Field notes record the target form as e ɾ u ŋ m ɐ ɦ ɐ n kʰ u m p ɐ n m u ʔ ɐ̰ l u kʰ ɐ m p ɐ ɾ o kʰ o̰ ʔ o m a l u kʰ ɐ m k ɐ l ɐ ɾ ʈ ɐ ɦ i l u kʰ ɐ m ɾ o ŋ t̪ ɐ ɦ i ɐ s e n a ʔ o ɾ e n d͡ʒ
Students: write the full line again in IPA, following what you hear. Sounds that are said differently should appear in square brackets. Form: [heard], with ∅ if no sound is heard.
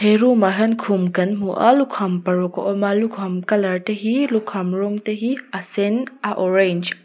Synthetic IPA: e ɾ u [∅] m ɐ ɦ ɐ n kʰ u m [k] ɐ n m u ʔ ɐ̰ l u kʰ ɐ m p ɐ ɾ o [k] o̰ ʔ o m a l u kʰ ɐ m k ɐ l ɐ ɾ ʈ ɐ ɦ i l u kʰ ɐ m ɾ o ŋ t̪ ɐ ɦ i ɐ s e n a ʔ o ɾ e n d͡ʒ